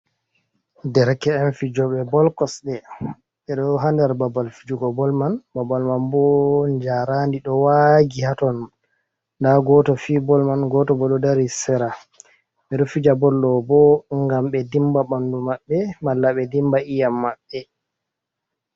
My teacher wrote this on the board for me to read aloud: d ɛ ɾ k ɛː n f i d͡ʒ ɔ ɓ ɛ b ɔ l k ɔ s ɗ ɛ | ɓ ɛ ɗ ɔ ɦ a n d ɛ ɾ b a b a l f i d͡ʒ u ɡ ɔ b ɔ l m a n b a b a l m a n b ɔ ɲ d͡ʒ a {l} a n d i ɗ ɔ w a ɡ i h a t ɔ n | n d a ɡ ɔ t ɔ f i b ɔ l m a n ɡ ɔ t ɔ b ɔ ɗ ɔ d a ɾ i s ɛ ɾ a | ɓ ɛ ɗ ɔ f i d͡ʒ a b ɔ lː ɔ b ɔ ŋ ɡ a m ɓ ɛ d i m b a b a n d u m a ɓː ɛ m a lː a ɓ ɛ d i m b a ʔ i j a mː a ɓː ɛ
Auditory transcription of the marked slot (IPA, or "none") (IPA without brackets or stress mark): ɾ